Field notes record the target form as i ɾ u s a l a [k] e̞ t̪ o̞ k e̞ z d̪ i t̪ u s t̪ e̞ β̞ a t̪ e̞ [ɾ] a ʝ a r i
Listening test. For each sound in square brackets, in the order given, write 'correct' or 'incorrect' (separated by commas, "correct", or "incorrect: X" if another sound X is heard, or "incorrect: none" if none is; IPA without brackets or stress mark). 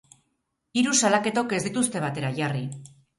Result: correct, correct